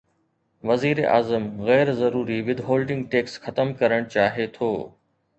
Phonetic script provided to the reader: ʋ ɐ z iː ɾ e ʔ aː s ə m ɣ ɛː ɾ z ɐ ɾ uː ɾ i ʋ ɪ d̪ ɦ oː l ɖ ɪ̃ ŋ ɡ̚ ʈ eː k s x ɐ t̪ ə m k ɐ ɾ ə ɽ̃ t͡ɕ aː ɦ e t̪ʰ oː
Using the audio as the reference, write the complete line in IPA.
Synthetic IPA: ʋ ɐ z iː ɾ e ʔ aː z ə m ɣ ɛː ɾ z ɐ ɾ uː ɾ i ʋ ɪ d̪ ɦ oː l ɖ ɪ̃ ŋ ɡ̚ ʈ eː k s x ɐ t̪ ə m k ɐ ɾ ə ɽ̃ t͡ɕ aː ɦ e t̪ʰ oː